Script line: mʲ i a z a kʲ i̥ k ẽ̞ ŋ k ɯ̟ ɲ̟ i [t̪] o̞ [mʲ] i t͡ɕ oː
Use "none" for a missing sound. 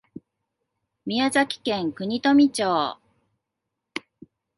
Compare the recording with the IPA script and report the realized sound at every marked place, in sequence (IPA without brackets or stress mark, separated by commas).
t̪, mʲ